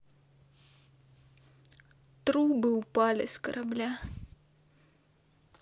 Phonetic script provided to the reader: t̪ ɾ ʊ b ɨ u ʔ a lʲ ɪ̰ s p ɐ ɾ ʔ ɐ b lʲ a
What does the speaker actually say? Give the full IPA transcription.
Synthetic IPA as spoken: t̪ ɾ u b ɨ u p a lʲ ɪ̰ s k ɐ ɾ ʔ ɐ b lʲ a